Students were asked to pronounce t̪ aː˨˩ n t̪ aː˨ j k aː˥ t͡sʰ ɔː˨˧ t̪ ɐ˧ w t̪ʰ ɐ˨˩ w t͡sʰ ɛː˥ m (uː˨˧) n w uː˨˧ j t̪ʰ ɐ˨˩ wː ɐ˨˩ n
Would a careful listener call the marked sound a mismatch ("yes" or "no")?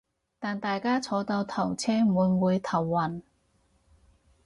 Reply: no